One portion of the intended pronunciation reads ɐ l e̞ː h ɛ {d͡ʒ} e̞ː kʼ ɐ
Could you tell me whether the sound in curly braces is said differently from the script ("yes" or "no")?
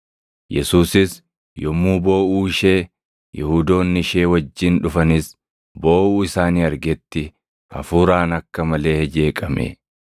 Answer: no